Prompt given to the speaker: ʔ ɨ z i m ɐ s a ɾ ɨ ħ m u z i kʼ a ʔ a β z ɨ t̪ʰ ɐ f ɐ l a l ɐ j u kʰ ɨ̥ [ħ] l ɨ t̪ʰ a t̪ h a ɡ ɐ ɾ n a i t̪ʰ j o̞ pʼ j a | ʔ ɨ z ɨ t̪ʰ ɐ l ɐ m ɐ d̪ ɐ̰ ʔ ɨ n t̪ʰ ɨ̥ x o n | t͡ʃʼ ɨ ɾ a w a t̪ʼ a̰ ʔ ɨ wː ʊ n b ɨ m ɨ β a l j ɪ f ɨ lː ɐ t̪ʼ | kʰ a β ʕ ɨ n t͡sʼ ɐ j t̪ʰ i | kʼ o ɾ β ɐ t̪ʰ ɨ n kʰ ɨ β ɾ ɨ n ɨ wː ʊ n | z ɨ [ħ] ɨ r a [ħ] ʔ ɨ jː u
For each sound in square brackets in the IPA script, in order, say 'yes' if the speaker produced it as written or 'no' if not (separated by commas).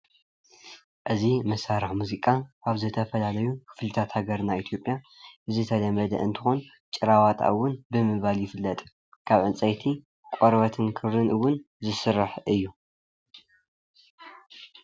no, no, yes